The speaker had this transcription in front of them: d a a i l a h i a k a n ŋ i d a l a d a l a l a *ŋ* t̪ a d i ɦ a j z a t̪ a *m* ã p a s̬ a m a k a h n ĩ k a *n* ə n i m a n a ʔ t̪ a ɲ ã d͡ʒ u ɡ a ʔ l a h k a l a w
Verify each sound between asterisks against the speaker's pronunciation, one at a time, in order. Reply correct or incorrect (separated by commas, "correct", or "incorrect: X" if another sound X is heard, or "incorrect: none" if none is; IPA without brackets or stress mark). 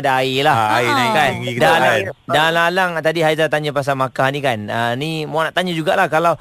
correct, incorrect: ɲ, correct